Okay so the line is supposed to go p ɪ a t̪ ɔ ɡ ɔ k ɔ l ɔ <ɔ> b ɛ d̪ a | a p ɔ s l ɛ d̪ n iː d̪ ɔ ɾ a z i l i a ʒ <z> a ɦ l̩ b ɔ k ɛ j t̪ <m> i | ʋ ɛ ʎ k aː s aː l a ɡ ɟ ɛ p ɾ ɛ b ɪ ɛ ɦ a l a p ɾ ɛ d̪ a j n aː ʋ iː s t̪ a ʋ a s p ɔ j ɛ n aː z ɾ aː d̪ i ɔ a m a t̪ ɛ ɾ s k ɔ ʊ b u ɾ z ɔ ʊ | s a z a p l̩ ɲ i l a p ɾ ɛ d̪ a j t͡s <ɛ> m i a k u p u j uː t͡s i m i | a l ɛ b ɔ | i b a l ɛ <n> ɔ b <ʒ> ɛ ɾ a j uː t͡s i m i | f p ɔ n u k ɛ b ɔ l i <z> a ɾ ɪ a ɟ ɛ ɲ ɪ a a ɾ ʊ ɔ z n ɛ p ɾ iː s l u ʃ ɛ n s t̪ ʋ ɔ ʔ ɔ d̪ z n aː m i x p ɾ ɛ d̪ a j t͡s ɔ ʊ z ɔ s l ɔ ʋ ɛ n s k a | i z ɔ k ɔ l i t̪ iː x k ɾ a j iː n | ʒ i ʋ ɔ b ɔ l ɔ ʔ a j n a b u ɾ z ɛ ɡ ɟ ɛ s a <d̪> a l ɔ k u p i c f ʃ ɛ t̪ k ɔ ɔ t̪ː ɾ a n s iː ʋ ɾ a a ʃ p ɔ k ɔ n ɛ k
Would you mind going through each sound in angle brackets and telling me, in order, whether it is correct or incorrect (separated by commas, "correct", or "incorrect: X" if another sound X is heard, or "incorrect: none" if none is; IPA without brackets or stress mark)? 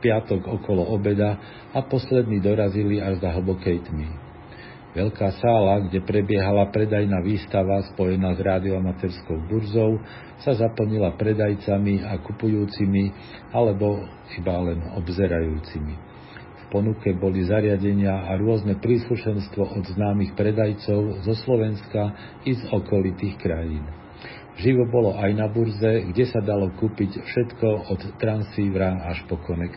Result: correct, correct, correct, incorrect: a, correct, incorrect: z, correct, correct